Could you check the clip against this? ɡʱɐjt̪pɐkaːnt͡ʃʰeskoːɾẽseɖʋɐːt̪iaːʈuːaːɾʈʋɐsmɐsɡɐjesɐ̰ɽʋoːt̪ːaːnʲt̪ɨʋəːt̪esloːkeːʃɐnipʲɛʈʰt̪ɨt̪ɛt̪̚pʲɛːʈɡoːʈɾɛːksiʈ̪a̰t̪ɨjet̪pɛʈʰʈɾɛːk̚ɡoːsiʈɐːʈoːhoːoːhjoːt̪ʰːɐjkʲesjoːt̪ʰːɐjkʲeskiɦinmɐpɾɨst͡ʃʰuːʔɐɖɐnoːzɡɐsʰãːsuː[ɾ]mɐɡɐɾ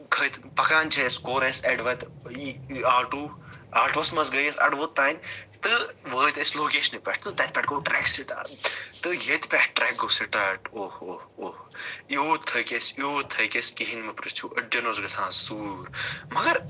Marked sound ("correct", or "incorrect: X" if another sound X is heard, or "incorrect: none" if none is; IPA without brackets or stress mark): correct